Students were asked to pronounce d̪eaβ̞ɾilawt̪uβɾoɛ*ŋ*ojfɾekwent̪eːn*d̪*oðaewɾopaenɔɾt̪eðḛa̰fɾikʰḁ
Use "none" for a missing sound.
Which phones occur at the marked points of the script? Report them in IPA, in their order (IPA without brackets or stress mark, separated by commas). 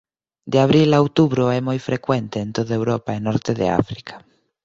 m, t̪